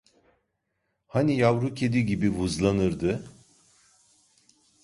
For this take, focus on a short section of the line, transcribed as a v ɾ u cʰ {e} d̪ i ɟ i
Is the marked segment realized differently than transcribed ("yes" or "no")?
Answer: no